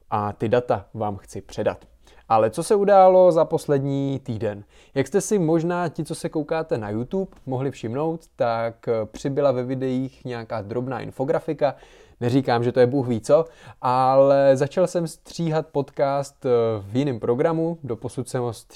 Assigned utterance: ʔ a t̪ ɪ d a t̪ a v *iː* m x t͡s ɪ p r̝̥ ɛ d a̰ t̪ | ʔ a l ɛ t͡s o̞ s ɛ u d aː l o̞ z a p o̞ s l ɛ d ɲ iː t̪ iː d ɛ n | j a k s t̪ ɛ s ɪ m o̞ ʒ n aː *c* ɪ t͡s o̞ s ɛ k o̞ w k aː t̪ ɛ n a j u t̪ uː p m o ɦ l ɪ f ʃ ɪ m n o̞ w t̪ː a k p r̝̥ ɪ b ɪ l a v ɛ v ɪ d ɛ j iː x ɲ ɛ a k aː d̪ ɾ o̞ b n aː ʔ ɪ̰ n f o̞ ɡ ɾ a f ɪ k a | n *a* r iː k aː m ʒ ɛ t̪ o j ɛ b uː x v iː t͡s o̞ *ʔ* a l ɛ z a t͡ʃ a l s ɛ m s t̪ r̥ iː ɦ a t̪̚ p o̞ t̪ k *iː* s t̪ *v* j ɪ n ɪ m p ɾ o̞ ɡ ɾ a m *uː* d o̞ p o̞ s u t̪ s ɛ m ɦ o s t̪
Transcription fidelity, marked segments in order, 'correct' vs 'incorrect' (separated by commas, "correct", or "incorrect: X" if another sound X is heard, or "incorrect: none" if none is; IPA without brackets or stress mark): incorrect: aː, correct, incorrect: ɛ, correct, incorrect: aː, correct, incorrect: u